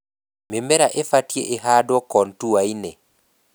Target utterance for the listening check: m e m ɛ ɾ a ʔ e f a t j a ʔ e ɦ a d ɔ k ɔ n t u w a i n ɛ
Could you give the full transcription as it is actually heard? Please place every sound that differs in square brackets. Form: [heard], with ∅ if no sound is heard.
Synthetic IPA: m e m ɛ ɾ a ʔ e f a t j [e] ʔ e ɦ a d ɔ k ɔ n t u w a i n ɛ

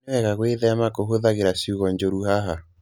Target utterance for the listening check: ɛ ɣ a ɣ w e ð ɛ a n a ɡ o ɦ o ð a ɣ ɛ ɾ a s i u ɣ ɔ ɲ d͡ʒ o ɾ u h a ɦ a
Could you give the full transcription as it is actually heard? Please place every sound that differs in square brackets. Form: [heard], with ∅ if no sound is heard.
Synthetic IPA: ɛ ɣ a ɣ w e ð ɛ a [m] a [k] o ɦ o ð a ɣ [e] ɾ a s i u ɣ ɔ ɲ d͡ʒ o ɾ u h a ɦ a

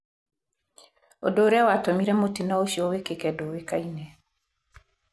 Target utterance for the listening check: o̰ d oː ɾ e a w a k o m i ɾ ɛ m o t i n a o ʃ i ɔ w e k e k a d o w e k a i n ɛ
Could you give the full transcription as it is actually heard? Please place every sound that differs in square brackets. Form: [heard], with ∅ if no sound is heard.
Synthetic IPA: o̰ d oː ɾ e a w a [t] o m i ɾ ɛ m o t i n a o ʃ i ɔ w e k e k [ɛ] d o w e k a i n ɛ

